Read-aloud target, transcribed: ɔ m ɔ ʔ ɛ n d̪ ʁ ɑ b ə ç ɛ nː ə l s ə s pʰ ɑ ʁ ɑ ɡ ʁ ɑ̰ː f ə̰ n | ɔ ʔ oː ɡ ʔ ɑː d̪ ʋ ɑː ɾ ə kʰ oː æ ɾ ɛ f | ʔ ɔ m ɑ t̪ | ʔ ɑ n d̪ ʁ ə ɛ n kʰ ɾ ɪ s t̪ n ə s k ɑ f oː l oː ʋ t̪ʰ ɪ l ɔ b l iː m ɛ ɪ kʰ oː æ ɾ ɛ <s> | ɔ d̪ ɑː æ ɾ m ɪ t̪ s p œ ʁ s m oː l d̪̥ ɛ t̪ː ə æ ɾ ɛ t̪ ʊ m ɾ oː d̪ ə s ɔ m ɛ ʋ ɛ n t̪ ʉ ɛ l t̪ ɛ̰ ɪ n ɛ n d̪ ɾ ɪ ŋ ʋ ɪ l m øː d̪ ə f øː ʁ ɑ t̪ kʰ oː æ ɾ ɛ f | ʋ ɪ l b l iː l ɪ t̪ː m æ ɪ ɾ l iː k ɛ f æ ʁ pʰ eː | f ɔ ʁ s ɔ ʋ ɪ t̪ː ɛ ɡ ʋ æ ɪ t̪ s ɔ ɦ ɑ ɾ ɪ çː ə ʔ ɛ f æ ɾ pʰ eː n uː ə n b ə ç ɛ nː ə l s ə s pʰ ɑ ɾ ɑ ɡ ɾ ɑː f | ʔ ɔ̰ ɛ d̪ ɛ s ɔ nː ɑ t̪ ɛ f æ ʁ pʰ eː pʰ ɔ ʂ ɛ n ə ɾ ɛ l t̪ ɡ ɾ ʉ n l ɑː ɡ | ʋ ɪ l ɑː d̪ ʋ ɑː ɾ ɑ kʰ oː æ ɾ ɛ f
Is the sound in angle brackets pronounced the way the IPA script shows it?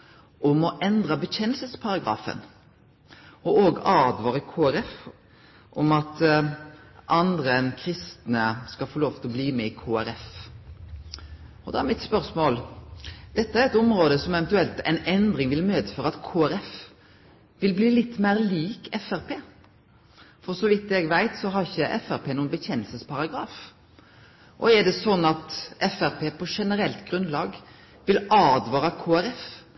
no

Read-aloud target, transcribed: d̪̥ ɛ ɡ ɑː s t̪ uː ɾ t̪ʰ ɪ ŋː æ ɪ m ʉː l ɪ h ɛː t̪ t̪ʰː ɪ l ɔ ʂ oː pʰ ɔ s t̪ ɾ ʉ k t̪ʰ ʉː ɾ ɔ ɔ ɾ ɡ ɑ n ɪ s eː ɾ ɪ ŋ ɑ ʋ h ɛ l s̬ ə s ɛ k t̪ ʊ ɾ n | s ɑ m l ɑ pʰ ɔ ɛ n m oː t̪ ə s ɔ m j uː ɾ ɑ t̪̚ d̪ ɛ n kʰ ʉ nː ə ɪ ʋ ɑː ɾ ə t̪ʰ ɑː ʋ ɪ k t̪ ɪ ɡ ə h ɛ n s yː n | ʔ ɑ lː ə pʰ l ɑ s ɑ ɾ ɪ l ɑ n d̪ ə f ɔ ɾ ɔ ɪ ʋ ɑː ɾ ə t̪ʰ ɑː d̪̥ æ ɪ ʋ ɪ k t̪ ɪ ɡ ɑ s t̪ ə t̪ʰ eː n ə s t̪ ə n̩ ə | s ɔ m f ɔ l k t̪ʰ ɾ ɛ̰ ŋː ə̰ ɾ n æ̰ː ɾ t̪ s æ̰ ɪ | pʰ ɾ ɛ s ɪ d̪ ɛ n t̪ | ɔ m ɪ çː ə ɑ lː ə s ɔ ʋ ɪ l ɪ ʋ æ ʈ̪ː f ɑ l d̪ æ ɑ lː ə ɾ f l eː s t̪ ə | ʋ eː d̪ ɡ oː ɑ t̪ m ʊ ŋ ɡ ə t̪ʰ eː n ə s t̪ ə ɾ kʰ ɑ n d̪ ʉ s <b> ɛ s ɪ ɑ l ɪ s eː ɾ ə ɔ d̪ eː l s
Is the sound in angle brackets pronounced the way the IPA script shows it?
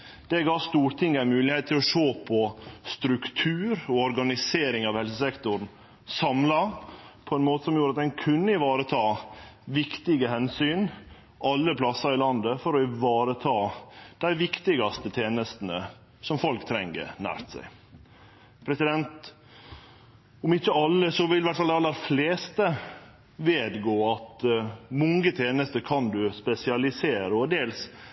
no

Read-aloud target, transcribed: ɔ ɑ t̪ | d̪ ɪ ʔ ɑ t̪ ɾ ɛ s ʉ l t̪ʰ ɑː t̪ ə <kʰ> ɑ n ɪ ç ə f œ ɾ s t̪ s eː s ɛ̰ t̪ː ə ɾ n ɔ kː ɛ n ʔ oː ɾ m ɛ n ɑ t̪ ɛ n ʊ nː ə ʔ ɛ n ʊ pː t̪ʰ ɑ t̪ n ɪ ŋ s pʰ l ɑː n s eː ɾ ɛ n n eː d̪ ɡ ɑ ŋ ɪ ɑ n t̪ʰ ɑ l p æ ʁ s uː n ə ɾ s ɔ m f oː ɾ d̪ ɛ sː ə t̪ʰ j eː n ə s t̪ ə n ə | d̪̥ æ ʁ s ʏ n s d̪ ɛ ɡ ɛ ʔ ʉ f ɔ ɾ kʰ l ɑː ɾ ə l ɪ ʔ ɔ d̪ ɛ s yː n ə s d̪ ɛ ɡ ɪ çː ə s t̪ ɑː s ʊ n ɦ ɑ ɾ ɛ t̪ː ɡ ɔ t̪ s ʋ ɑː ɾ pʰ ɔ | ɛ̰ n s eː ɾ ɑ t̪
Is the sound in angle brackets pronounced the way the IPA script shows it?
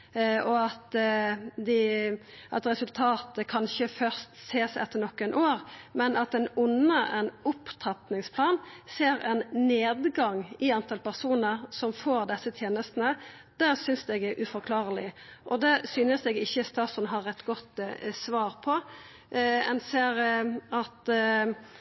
yes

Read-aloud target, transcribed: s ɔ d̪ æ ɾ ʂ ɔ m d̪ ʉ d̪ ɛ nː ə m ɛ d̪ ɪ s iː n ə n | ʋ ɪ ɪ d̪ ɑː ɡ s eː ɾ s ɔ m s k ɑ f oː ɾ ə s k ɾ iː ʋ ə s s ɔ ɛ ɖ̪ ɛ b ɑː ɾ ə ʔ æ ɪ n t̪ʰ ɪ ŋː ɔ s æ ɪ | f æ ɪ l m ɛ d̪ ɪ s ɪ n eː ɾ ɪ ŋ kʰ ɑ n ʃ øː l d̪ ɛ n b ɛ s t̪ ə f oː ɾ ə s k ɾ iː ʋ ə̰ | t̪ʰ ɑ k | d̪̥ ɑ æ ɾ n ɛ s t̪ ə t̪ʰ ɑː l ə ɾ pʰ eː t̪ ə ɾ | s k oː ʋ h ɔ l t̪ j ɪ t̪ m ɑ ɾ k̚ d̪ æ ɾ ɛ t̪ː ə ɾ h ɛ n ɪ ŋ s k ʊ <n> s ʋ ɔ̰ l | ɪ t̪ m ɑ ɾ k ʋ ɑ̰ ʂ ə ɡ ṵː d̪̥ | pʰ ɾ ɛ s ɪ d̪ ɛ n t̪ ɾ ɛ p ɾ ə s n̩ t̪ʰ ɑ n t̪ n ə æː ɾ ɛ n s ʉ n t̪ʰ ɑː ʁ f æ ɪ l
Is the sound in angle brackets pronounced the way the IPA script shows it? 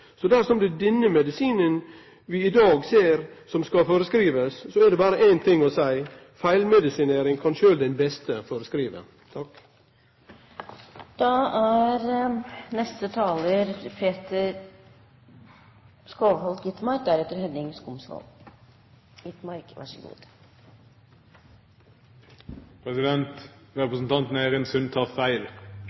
no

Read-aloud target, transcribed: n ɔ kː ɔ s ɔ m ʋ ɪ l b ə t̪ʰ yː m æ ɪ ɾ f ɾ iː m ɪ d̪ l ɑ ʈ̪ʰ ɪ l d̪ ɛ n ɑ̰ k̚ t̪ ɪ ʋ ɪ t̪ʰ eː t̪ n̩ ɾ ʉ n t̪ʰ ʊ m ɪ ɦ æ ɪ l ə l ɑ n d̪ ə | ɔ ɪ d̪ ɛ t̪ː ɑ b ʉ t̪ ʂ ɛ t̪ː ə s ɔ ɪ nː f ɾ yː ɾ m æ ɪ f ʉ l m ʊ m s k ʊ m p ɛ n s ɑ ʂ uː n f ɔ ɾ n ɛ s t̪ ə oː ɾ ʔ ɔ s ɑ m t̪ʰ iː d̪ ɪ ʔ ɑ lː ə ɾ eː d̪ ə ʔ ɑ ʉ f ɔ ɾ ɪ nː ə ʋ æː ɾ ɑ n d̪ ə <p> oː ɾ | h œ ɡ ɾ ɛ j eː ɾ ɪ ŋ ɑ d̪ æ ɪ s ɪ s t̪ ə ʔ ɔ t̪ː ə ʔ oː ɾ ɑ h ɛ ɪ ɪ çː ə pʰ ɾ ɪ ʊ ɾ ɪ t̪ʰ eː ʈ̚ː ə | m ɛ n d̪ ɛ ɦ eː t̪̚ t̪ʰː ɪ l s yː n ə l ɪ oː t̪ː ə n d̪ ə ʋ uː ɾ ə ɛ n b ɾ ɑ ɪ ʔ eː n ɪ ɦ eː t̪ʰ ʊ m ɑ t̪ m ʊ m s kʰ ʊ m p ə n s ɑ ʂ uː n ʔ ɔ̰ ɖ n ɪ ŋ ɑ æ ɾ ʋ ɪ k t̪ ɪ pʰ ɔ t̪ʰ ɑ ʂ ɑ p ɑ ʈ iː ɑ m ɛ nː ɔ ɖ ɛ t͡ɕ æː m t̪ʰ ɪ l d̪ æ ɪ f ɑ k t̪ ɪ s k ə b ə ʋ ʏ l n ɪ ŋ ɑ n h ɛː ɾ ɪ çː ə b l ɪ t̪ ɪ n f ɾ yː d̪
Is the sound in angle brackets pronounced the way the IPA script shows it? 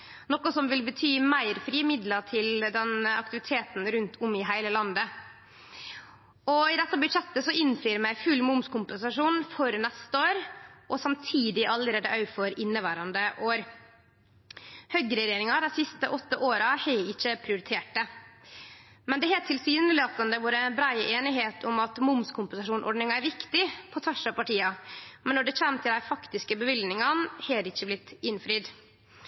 no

